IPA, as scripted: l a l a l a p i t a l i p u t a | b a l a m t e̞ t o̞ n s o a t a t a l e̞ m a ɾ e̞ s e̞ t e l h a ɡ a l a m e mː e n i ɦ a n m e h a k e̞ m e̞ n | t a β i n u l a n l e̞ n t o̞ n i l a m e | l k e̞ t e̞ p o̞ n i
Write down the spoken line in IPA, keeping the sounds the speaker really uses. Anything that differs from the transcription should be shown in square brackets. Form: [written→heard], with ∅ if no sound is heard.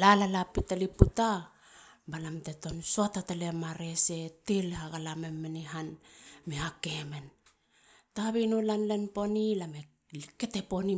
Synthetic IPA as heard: l a l a l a p i t a l i p u t a | b a l a m t e̞ t o̞ n s o a t a t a l e̞ m a ɾ e̞ s e̞ t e l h a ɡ a l a m e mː e n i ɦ a n m e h a k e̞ m e̞ n | t a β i n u l a n l e̞ n [t→p] o̞ n i l a m e | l k e̞ t e̞ p o̞ n i